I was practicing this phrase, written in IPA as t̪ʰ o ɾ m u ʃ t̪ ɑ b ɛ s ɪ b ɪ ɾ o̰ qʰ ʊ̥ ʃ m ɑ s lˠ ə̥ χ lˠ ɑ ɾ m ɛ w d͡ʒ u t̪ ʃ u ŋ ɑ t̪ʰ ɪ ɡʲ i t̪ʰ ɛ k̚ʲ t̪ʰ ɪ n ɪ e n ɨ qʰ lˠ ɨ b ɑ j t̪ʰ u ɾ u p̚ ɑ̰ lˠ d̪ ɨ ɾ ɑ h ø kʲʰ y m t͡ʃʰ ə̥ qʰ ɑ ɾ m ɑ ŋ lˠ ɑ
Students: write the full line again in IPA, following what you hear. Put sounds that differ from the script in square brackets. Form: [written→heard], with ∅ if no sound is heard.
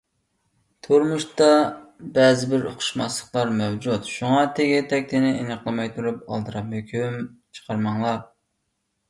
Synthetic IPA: t̪ʰ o ɾ m u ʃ t̪ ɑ b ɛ [s→z] ɪ b ɪ ɾ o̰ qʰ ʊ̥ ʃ m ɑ s lˠ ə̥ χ lˠ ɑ ɾ m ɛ w d͡ʒ u t̪ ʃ u ŋ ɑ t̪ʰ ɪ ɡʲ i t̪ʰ ɛ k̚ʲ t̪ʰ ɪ n ɪ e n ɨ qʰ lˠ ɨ [b→m] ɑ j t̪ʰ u ɾ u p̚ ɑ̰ lˠ d̪ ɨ ɾ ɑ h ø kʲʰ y m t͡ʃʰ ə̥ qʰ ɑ ɾ m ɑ ŋ lˠ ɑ